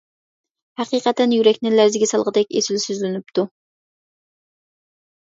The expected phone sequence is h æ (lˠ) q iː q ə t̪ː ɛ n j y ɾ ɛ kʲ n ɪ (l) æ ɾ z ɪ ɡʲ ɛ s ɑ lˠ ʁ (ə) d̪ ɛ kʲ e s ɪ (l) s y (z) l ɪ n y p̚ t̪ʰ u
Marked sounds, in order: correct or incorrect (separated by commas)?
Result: incorrect, correct, correct, correct, correct